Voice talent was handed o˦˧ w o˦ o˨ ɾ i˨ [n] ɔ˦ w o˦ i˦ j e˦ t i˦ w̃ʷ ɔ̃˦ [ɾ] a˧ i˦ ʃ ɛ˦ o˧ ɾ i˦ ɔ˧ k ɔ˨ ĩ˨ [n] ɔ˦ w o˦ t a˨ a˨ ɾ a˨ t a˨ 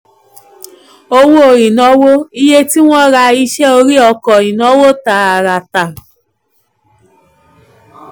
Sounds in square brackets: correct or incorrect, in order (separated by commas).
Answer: correct, correct, correct